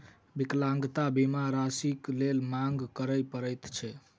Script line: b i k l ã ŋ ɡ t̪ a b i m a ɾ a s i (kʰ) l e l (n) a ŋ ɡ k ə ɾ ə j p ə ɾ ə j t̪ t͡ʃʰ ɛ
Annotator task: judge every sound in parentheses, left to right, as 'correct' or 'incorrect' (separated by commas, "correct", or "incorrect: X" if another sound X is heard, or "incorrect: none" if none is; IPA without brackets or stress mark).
incorrect: k, incorrect: m